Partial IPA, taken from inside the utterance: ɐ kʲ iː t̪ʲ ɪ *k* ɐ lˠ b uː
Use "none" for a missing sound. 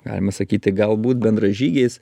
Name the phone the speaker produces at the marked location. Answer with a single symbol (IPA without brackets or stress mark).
ɡ